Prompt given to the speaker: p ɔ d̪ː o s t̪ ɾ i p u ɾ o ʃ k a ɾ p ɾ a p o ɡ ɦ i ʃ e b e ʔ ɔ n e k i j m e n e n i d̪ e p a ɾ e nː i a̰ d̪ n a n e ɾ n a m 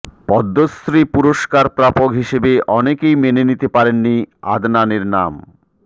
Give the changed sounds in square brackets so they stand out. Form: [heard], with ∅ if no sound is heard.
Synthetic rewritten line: p ɔ d̪ː o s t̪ ɾ i p u ɾ o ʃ k a ɾ p ɾ a p o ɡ ɦ i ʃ e b e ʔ ɔ n e k [e] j m e n e n i [t̪] e p a ɾ e nː i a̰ d̪ n a n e ɾ n a m